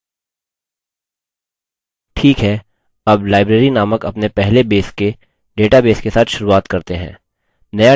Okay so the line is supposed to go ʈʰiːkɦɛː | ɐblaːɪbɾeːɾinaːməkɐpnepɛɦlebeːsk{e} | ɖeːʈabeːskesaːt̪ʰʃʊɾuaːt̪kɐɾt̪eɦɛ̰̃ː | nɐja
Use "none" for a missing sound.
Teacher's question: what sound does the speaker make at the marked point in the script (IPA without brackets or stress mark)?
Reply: e